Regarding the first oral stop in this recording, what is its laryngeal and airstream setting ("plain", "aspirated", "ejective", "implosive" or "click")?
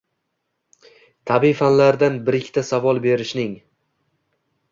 aspirated